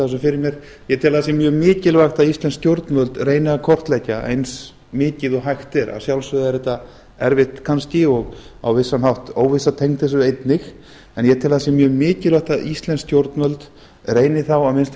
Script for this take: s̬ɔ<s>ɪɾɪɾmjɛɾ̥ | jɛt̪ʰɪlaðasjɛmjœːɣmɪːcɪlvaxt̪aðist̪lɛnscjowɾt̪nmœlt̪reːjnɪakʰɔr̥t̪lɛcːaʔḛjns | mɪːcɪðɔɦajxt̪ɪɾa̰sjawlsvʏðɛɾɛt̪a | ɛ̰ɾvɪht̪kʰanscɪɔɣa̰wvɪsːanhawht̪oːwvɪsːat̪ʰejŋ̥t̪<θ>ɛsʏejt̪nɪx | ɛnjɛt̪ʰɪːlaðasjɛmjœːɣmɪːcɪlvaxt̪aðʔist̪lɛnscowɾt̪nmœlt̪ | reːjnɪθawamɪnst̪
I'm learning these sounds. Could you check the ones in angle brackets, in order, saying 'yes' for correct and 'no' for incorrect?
no, yes

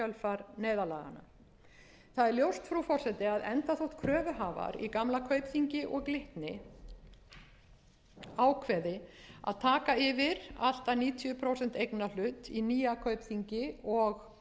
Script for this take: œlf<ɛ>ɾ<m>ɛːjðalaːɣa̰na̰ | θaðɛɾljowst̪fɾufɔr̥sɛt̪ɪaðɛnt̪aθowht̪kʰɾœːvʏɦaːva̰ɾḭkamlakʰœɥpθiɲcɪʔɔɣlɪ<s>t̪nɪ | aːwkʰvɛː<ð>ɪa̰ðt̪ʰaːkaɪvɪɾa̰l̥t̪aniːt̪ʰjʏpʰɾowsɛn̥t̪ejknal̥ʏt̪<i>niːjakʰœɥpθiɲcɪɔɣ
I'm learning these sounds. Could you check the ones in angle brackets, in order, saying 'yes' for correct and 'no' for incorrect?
no, no, no, yes, yes

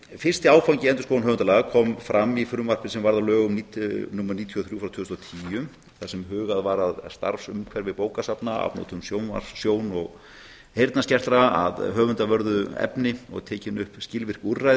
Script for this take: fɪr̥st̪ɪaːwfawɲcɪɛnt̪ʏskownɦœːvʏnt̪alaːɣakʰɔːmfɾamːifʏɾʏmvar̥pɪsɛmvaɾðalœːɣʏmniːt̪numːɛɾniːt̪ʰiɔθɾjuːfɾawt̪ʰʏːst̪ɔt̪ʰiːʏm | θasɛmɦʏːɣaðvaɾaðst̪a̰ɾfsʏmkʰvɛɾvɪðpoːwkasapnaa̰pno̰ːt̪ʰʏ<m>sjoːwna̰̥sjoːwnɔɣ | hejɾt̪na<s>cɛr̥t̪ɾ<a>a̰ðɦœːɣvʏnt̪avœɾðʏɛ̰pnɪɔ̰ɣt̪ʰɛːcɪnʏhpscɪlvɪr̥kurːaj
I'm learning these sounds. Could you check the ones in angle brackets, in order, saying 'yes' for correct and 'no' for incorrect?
yes, yes, yes

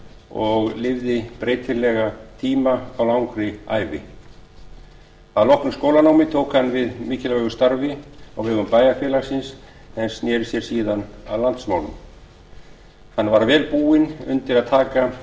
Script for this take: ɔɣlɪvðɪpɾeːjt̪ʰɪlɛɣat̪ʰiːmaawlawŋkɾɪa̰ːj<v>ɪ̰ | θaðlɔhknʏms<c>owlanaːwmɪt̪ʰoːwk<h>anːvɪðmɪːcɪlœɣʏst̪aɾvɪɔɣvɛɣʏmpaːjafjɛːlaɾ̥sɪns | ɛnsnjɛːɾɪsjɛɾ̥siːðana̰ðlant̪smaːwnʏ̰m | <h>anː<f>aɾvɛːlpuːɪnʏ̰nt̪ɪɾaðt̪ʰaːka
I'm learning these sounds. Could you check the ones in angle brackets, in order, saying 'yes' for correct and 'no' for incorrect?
yes, no, yes, yes, no

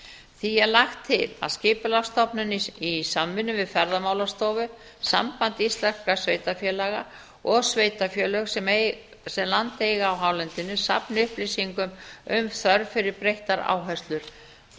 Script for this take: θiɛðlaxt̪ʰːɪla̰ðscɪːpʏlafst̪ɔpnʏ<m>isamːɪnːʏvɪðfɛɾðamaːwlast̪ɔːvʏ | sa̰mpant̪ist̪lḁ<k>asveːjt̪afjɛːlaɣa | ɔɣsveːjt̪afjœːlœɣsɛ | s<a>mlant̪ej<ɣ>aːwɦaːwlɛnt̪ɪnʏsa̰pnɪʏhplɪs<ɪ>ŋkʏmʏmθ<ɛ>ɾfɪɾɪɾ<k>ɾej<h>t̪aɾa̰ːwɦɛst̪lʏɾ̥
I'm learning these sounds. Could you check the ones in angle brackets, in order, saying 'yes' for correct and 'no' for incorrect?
no, yes, no, yes, no, no, no, yes

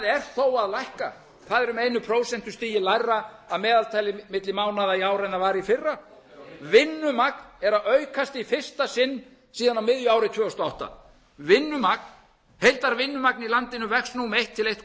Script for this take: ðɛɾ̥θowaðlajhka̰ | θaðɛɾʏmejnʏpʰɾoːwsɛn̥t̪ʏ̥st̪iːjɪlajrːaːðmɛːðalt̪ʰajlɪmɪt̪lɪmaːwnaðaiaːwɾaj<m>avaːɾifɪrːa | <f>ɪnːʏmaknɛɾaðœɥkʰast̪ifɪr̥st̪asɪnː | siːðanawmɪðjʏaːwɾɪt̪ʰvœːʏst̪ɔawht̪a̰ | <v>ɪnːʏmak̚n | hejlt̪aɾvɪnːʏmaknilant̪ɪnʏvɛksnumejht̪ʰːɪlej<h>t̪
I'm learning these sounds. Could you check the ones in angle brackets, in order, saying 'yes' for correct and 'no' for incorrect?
no, no, yes, yes

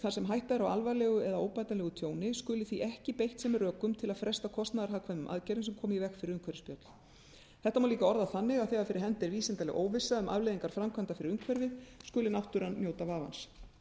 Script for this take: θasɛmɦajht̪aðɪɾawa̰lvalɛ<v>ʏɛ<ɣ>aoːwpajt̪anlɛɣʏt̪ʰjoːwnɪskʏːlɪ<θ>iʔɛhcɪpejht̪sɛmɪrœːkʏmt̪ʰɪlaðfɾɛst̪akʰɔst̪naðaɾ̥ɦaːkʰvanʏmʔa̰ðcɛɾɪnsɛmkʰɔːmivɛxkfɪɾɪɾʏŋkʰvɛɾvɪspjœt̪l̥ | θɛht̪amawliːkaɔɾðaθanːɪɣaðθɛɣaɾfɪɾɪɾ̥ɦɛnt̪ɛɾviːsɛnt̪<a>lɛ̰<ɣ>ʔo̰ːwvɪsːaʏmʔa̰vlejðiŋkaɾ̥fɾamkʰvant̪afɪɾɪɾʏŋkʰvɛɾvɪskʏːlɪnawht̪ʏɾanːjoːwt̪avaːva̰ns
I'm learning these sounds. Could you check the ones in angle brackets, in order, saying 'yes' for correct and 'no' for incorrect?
no, no, yes, yes, yes

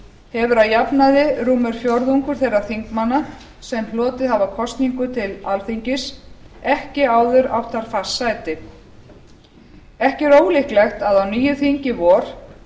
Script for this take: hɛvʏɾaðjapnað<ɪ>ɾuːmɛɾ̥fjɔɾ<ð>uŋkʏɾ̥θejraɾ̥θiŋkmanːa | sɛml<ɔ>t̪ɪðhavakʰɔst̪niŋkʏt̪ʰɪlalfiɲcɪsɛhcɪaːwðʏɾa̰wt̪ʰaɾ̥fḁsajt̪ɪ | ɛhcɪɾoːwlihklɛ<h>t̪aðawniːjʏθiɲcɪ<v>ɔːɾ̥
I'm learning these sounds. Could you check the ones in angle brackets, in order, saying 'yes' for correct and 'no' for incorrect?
yes, yes, no, no, yes

